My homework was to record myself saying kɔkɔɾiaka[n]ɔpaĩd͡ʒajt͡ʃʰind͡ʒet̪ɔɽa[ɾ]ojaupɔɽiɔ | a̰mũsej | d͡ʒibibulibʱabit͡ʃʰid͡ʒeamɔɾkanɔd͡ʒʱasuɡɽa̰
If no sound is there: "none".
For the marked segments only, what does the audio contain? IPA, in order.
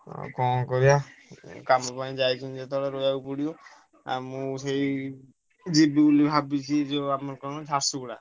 m, ɾ

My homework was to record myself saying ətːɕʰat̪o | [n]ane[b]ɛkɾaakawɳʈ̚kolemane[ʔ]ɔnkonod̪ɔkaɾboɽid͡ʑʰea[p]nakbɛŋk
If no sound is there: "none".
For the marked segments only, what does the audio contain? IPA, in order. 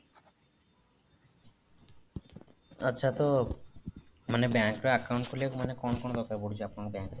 m, b, k, p

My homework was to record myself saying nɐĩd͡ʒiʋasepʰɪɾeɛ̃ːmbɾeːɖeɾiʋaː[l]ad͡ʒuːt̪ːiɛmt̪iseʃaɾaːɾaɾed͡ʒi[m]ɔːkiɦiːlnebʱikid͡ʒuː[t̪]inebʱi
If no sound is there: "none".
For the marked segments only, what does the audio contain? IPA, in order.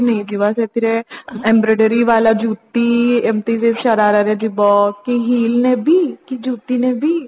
l, b, t̪

